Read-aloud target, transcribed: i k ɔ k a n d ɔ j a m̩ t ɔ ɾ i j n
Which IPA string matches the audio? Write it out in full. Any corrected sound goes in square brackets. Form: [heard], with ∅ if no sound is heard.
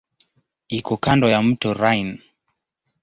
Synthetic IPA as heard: i k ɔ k a n d ɔ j a m̩ t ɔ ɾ [a] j n